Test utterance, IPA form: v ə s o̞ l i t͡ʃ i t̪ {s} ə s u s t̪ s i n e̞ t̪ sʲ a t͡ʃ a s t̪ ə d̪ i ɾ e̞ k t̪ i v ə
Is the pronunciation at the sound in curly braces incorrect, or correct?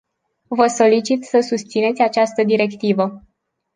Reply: correct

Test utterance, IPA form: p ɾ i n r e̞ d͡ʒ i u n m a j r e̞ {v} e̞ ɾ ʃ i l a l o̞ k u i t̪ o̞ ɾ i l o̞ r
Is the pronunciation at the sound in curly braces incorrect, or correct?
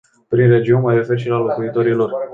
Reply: incorrect: f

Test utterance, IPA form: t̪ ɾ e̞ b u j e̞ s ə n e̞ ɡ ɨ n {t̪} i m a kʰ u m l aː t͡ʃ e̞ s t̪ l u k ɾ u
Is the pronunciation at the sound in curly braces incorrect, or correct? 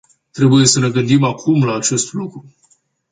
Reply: incorrect: d̪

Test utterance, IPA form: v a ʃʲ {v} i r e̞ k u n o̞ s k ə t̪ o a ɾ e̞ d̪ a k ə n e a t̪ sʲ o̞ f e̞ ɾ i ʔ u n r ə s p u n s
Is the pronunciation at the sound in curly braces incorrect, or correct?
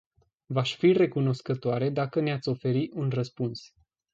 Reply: incorrect: f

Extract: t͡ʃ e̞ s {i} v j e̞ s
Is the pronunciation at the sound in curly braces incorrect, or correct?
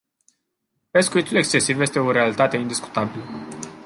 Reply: correct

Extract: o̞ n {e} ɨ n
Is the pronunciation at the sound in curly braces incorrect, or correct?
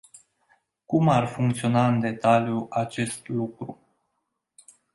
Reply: incorrect: a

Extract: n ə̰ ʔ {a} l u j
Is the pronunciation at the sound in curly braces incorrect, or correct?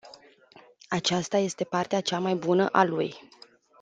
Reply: correct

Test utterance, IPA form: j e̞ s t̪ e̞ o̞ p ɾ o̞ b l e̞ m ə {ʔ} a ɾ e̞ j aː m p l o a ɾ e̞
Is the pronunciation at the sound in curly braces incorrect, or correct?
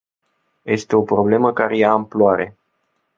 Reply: incorrect: k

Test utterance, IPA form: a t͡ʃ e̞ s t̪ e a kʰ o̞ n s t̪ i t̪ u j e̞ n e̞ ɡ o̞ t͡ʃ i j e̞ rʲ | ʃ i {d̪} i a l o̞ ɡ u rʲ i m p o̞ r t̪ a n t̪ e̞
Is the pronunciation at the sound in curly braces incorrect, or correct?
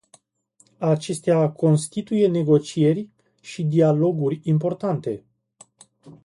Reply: correct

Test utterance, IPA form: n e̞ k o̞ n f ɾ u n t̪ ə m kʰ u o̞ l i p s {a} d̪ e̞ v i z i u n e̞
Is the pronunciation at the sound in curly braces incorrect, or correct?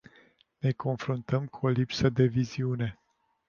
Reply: incorrect: ə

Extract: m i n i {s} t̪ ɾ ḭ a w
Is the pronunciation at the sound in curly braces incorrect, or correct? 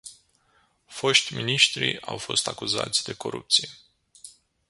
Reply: incorrect: ʃ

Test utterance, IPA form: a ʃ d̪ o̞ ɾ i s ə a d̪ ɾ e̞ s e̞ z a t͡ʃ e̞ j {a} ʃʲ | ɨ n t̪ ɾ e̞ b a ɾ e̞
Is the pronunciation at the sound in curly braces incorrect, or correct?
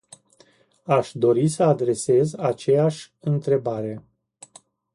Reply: correct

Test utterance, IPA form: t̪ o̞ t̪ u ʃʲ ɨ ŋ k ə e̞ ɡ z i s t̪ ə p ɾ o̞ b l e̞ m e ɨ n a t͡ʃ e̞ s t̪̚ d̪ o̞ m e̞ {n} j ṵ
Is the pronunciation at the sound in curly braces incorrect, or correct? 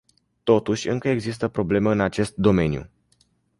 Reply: correct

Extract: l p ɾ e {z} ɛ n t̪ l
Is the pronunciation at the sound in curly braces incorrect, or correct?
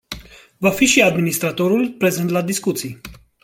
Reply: correct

